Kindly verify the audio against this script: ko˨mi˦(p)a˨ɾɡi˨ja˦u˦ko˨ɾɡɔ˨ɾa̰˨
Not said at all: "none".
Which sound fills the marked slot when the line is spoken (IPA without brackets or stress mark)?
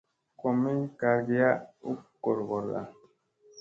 k